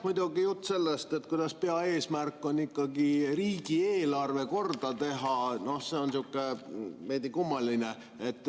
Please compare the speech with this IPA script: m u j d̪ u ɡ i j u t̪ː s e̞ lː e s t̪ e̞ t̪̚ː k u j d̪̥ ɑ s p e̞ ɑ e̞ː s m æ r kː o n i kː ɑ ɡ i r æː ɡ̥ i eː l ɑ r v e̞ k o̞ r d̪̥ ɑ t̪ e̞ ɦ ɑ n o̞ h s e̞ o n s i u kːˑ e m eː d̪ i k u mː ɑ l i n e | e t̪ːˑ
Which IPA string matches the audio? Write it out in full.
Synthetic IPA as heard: m u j d̪ u ɡ i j u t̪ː s e̞ lː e s t̪ e̞ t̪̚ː k u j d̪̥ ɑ s p e̞ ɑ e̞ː s m æ r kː o n i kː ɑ ɡ i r iː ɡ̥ i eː l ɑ r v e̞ k o̞ r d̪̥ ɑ t̪ e̞ ɦ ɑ n o̞ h s e̞ o n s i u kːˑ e m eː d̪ i k u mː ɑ l i n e | e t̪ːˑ